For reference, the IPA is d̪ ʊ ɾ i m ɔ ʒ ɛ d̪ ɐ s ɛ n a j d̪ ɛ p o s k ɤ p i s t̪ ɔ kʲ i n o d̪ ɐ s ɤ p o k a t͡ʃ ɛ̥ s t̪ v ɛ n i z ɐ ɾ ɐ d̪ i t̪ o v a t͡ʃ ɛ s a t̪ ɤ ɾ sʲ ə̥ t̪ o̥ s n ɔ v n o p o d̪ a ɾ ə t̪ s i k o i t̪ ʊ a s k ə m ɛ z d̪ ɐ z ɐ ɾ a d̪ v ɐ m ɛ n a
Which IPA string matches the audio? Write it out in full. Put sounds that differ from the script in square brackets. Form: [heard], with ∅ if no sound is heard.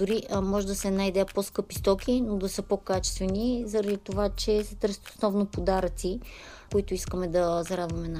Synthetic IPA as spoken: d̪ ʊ ɾ i m ɔ ʒ ɛ d̪ ɐ s ɛ n a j d̪ ɛ p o s k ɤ p i s t̪ ɔ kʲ i n o d̪ ɐ s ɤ p o k a t͡ʃ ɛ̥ s t̪ v ɛ n i z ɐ ɾ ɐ d̪ i t̪ o v a t͡ʃ ɛ s [ɛ] t̪ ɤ ɾ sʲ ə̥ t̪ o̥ s n ɔ v n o p o d̪ a ɾ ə t̪ s i k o i t̪ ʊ [i] s k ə m ɛ [∅] d̪ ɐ z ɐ ɾ a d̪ v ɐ m ɛ n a